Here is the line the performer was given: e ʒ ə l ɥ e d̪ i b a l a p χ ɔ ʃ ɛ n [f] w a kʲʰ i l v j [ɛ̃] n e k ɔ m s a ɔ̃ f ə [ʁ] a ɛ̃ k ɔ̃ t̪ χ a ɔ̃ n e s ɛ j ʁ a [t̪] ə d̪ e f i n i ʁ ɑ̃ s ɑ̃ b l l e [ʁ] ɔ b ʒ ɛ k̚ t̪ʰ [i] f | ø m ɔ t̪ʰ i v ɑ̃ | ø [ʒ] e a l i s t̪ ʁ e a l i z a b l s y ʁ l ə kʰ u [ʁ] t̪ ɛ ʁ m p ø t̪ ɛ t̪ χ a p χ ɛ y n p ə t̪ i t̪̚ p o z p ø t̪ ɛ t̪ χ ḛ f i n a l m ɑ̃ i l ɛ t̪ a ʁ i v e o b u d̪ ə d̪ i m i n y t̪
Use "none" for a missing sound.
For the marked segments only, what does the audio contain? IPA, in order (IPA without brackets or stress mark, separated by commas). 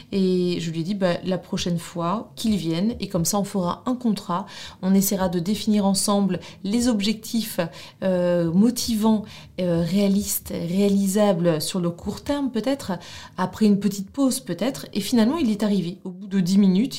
f, ɛ, ʁ, d̪, z, i, ʁ, ʁ